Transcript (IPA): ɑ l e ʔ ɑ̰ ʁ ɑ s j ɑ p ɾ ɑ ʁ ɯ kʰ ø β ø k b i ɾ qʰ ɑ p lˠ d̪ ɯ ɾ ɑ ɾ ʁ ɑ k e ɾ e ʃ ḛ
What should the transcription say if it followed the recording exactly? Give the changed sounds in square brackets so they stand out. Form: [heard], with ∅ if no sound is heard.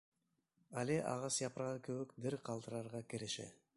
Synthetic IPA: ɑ l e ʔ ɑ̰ ʁ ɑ s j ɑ p ɾ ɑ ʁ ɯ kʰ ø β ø k b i ɾ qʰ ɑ [∅] lˠ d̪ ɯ ɾ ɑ ɾ ʁ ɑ k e ɾ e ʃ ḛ